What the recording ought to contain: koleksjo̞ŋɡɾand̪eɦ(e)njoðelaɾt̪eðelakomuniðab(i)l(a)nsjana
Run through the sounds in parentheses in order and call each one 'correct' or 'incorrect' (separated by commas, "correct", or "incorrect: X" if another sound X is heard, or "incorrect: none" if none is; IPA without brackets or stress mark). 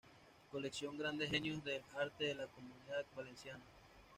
correct, incorrect: a, incorrect: e